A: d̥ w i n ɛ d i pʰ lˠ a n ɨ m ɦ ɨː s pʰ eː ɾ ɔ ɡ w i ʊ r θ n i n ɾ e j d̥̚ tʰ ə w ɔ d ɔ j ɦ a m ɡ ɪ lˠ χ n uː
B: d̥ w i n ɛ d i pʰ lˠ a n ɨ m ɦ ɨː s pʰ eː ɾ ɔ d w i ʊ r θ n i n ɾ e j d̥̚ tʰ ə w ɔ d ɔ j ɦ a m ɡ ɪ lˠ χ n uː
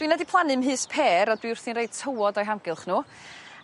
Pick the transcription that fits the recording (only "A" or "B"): B